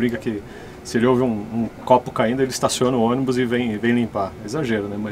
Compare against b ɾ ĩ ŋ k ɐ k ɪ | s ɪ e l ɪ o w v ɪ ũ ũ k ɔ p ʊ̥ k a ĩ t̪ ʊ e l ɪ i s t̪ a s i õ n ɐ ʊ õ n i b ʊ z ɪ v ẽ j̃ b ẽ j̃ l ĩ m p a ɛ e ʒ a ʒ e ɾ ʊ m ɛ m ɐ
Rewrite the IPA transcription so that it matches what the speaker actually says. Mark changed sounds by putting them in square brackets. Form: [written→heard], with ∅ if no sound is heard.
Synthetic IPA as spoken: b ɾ ĩ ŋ k ɐ k ɪ | s ɪ e l ɪ o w v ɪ ũ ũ k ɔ p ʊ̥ k a ĩ [t̪→d̪] ʊ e l ɪ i s t̪ a s i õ n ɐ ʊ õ n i b ʊ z ɪ v ẽ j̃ [b→v] ẽ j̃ l ĩ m p a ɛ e [ʒ→z] a ʒ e ɾ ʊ [m→n] ɛ m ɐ